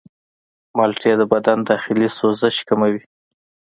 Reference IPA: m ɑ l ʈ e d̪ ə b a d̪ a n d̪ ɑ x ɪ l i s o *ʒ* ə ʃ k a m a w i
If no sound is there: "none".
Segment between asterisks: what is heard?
z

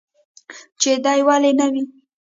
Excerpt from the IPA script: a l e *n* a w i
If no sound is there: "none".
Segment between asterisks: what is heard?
n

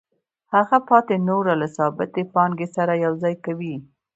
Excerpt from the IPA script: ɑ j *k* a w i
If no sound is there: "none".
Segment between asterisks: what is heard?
k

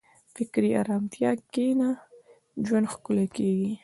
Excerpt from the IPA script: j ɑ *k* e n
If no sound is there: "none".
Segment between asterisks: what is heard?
k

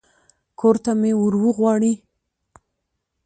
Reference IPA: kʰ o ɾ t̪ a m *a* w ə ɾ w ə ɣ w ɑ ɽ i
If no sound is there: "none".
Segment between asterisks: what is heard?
e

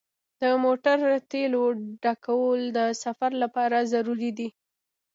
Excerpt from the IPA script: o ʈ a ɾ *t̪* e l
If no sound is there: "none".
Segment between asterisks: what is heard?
t̪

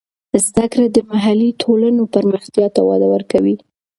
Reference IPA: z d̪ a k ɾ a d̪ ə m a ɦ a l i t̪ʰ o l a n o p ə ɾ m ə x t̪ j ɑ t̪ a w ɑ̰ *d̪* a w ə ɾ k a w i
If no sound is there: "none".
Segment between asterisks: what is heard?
d̪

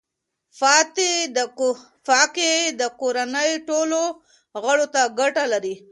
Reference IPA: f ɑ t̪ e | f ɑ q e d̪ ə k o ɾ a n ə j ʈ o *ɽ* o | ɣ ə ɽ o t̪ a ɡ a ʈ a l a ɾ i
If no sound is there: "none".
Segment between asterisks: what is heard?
l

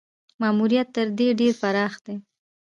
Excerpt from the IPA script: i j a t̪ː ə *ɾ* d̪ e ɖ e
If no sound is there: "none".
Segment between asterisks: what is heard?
ɾ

